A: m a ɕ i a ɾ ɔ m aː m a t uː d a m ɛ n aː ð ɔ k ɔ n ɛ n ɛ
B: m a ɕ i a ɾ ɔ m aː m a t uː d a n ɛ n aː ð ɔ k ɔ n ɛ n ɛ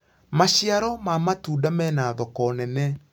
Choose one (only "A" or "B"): A